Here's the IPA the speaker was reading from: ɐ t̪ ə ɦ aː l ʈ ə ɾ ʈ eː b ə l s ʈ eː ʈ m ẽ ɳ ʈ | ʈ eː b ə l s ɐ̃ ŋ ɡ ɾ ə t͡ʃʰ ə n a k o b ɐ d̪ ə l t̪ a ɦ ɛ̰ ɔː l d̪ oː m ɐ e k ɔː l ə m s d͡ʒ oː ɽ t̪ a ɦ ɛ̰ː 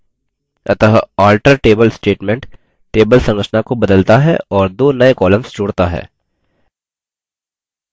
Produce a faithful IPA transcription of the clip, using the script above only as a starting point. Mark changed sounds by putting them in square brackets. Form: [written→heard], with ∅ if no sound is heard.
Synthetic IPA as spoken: ɐ t̪ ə ɦ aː l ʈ ə ɾ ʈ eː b ə l s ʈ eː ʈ m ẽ ɳ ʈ | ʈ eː b ə l s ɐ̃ ŋ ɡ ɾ ə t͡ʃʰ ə n a k o b ɐ d̪ ə l t̪ a ɦ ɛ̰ ɔː [l→ɾ] d̪ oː [m→n] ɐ e k ɔː l ə m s d͡ʒ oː ɽ t̪ a ɦ ɛ̰ː